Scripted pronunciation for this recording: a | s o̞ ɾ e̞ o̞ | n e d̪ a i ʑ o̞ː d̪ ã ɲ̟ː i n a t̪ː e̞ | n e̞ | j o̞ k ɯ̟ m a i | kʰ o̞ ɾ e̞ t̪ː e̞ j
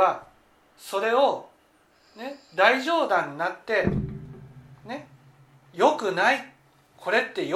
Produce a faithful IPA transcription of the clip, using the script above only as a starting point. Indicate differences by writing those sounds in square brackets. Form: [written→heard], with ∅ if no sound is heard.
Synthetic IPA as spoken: a | s o̞ ɾ e̞ o̞ | n e d̪ a i ʑ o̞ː d̪ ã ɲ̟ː i n a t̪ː e̞ | n e̞ | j o̞ k ɯ̟ [m→n] a i | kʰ o̞ ɾ e̞ t̪ː e̞ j